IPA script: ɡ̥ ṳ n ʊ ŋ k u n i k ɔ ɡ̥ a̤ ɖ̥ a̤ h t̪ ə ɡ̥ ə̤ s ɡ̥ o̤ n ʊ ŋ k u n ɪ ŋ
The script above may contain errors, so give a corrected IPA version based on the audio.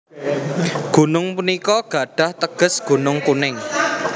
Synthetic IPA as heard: ɡ̥ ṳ n ʊ ŋ p u n i k ɔ ɡ̥ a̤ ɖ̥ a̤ h t̪ ə ɡ̥ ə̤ s ɡ̥ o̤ n ʊ ŋ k u n ɪ ŋ